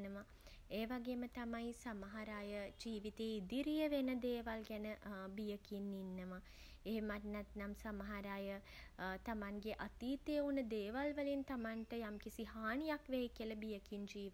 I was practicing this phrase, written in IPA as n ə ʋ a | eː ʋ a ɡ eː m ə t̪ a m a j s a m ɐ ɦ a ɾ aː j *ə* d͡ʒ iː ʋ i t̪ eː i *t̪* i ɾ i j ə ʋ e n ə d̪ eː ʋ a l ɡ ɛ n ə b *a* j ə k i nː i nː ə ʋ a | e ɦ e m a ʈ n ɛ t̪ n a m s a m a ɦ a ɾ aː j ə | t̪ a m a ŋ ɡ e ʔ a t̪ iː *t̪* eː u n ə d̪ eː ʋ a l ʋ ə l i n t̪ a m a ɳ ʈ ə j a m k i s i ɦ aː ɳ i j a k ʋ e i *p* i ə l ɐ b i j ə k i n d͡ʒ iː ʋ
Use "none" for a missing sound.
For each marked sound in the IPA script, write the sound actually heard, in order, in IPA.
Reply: ə, d̪, i, t̪, k

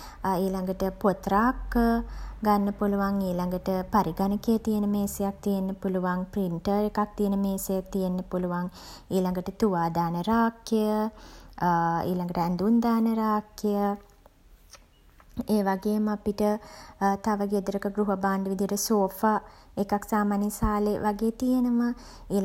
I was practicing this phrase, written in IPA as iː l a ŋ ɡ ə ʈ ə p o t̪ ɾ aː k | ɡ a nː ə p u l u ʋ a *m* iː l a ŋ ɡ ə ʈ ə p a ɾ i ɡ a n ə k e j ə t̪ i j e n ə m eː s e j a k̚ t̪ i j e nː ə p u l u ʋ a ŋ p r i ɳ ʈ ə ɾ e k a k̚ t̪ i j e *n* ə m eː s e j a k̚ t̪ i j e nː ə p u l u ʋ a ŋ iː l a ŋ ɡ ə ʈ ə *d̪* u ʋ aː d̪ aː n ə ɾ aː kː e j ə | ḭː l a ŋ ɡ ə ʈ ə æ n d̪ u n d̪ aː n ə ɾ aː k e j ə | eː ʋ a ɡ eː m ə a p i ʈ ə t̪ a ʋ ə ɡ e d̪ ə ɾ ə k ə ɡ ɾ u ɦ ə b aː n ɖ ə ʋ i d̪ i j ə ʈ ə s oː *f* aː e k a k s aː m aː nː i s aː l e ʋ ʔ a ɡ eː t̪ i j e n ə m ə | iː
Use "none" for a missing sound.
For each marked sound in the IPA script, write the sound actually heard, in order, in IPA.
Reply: ŋ, n, t̪, f

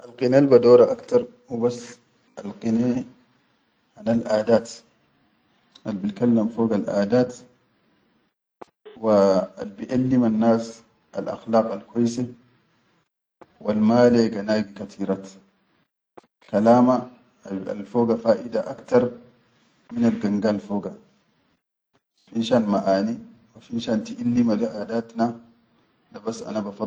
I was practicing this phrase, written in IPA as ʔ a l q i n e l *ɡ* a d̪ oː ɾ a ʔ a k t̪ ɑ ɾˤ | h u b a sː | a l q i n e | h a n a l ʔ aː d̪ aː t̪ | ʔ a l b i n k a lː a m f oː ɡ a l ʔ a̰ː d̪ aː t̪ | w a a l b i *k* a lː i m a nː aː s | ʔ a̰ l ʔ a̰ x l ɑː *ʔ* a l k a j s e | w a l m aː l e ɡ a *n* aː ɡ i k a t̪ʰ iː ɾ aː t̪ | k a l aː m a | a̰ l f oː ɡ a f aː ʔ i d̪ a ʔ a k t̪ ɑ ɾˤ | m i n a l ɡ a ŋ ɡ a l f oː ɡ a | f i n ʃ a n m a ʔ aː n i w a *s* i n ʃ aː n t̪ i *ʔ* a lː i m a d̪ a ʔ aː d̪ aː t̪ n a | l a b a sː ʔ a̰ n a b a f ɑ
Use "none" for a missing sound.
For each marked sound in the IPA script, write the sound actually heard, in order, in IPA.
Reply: b, ʔ, q, n, f, ʔ

